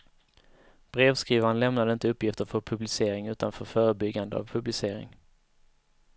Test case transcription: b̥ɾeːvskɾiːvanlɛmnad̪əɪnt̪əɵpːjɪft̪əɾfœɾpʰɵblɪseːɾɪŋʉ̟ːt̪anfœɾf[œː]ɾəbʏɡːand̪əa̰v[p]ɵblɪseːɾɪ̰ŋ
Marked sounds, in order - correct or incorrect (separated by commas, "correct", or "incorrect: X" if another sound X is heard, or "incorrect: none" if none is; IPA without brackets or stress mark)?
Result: correct, incorrect: pʰ